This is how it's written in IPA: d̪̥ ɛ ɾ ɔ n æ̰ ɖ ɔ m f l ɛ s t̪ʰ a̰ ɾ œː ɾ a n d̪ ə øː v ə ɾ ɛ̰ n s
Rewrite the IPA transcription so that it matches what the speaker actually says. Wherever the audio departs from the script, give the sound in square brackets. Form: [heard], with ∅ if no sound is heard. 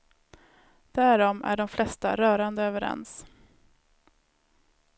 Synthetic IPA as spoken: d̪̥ [æ] ɾ ɔ [m] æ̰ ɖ ɔ m f l ɛ s [t̪] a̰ ɾ œː ɾ a n d̪ ə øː v ə ɾ ɛ̰ n s